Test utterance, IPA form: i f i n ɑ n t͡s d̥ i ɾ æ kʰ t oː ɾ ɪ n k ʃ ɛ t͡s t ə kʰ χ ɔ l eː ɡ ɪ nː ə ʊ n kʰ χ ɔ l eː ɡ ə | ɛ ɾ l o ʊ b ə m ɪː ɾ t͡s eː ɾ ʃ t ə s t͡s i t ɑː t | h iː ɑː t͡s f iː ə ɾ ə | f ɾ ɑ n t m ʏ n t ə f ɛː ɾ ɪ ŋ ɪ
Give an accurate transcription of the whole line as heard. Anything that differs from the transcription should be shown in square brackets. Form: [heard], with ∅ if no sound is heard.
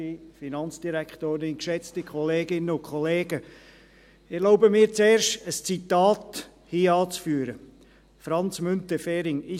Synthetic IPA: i f i n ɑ n t͡s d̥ i ɾ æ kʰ t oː ɾ ɪ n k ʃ ɛ t͡s t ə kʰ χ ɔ l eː ɡ ɪ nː ə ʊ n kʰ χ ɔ l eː ɡ ə | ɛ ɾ l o ʊ b ə m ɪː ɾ t͡s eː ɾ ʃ t ə s t͡s i t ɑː t | h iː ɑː t͡s f [yː] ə ɾ ə | f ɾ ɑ n [t͡s] m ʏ n t ə f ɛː ɾ ɪ ŋ ɪ

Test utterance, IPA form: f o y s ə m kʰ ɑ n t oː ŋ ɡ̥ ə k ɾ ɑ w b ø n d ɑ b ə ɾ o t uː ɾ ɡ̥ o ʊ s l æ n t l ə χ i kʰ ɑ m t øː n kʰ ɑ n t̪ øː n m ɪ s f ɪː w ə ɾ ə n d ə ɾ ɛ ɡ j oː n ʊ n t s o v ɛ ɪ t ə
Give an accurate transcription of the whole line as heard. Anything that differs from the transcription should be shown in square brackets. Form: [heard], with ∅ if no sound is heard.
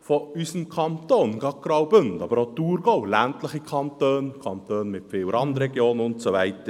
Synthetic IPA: f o y s ə m kʰ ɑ n t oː [n] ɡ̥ [ɑ] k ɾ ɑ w b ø n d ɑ b ə ɾ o t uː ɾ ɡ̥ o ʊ [∅] l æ n t l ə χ i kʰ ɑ [n] t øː n kʰ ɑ n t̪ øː n m ɪ [t] f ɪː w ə ɾ [ɑ] n d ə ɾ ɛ ɡ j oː n ʊ n t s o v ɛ ɪ t ə

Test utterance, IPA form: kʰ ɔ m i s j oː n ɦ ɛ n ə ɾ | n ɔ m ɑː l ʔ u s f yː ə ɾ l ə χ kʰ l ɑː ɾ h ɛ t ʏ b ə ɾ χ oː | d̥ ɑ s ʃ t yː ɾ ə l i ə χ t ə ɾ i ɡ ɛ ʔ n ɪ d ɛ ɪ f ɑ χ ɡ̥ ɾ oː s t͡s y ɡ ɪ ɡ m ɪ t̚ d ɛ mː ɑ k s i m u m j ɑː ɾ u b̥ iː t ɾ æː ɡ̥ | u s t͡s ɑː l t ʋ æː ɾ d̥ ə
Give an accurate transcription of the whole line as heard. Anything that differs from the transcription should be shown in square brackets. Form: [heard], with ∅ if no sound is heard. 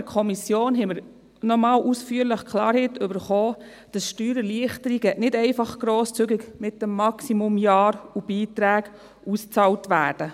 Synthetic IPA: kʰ ɔ m i s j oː n ɦ ɛ [m] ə ɾ | n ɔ m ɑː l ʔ u s f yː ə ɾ l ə χ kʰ l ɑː ɾ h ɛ t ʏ b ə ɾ χ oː | d̥ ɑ s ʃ t yː ɾ ə l i ə χ t ə ɾ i ɡ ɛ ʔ n ɪ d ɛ ɪ f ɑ χ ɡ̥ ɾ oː s t͡s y ɡ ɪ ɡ m ɪ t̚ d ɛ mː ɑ k s i m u m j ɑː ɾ u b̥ iː t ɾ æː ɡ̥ | u s t͡s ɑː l t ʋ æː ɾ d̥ ə

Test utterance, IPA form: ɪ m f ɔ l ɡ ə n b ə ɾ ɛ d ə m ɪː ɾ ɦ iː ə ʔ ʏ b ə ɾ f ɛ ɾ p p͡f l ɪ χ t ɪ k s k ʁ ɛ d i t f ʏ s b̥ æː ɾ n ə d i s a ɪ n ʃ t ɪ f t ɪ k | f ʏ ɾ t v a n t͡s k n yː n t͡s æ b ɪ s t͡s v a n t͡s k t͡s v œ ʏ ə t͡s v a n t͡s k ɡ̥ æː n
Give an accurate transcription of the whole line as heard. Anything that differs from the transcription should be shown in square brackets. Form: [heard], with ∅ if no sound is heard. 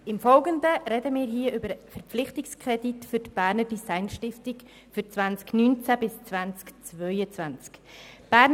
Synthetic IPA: ɪ m f ɔ l ɡ ə n [d] ə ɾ ɛ d ə m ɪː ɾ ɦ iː ə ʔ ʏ b ə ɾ f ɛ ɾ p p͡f l ɪ χ t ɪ k s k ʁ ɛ d i t f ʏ [t] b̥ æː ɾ n ə d i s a ɪ n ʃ t ɪ f t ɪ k | f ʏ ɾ [t͡s] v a n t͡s k n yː n t͡s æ b ɪ s t͡s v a n t͡s k t͡s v œ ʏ ə t͡s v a n t͡s k [b̥] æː n

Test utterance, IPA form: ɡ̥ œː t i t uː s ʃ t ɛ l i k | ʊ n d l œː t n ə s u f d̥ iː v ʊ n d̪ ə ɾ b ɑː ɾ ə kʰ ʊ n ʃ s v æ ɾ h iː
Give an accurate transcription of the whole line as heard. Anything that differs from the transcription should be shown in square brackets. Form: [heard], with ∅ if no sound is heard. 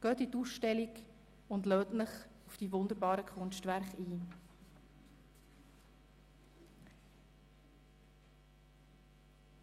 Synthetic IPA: ɡ̥ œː t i t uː s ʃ t ɛ l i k | ʊ n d l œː t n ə [χ] u f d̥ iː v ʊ n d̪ ə ɾ b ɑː ɾ ə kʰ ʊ n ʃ [t] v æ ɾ [χ] iː

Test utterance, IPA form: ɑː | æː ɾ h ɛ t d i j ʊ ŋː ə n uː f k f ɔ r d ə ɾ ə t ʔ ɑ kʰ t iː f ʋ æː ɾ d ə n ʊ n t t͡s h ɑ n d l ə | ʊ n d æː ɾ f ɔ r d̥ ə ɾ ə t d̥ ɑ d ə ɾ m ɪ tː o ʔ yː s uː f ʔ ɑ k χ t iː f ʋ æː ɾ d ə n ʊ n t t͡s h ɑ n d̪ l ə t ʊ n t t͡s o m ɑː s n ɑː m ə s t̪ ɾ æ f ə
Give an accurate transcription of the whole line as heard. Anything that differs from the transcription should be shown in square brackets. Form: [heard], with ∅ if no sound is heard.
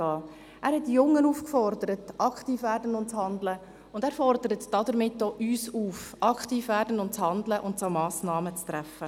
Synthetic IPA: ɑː | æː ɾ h ɛ t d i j ʊ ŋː ə n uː f k f ɔ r d ə ɾ ə t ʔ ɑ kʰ t iː f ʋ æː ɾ d ə n ʊ n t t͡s h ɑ n d l ə | ʊ n d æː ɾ f ɔ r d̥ ə ɾ ə t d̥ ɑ d ə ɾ m ɪ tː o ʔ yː s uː f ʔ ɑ k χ t iː f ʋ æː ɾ d ə n ʊ n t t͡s h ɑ n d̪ l ə [ʔ] ʊ n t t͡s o m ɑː s n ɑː m ə [t͡s] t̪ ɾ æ f ə

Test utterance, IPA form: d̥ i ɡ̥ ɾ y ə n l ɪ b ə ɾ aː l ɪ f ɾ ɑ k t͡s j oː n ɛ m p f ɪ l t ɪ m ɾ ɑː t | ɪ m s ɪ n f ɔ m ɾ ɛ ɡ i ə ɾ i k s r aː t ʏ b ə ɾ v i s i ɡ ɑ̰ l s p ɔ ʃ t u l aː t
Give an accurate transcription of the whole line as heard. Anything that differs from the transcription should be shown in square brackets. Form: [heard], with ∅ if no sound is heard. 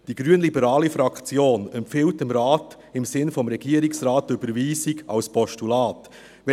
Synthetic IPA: d̥ i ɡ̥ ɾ y ə n l [i] b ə ɾ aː l [i] f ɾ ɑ k t͡s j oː n ɛ m p f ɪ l t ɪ m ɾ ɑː t | ɪ m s ɪ n f ɔ m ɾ ɛ ɡ i ə ɾ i k s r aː t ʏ b ə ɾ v [iː] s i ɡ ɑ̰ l s p ɔ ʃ t u l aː t

